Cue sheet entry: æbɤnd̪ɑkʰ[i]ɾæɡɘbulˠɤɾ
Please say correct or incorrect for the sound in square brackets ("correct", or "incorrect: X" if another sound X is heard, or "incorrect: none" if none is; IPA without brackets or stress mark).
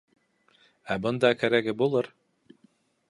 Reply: incorrect: æ